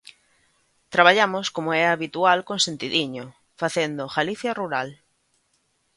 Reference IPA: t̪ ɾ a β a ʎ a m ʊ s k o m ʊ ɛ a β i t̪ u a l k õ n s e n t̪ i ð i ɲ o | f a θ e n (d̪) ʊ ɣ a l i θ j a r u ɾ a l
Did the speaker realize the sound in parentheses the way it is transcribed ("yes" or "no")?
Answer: yes